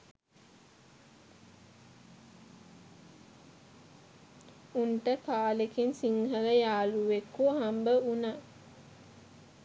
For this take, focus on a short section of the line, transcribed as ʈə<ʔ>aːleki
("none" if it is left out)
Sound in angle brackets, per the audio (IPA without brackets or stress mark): k